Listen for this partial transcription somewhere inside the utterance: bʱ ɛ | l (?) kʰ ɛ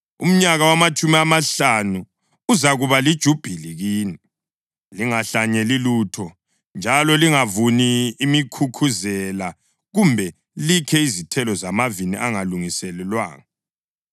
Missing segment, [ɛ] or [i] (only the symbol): i